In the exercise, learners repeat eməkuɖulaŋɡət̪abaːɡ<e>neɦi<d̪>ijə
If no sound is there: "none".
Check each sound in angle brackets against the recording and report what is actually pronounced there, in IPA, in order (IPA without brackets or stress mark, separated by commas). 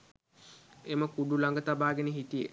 e, t̪